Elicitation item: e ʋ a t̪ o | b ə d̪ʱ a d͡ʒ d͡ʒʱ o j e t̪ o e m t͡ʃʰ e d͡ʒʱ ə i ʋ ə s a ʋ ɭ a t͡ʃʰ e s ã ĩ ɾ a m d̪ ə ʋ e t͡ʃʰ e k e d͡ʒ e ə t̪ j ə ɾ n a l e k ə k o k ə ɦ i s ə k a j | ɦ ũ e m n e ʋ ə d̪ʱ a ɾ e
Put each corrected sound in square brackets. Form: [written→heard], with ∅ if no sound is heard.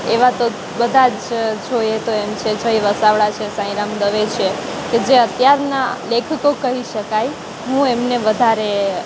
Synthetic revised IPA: e ʋ a t̪ o | b ə d̪ʱ a d͡ʒ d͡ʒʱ o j e t̪ o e m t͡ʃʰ e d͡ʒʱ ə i ʋ ə s a ʋ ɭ a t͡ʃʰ e s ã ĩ ɾ a m d̪ ə ʋ e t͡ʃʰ e k e d͡ʒ e ə t̪ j [ə→a] ɾ n a l e [k→kʰ] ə k o k ə ɦ i [s→ʃ] ə k a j | ɦ ũ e m n e ʋ ə d̪ʱ a ɾ e